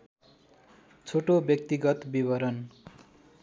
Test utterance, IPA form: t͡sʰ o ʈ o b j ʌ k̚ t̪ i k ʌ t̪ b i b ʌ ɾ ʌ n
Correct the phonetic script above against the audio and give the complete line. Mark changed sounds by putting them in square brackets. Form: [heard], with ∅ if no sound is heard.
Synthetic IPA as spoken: t͡sʰ o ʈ o b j ʌ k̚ t̪ i [ɡ] ʌ t̪ b i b ʌ ɾ ʌ n